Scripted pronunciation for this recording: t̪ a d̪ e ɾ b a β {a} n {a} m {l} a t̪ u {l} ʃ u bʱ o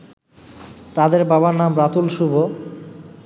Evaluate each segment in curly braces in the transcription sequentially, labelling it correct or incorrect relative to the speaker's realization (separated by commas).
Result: correct, correct, incorrect, correct